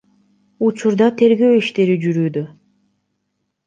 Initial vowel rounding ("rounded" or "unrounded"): rounded